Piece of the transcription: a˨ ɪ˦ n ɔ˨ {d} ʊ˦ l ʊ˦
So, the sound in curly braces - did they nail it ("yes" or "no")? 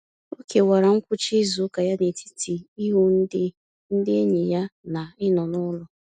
no